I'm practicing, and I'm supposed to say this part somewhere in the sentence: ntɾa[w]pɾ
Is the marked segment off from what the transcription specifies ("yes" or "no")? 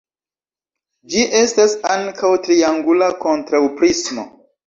no